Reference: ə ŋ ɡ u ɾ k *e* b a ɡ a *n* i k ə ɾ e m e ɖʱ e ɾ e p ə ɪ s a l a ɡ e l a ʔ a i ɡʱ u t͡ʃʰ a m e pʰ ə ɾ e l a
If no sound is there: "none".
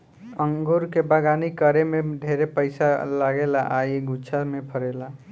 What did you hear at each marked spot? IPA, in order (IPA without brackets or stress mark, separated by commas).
e, n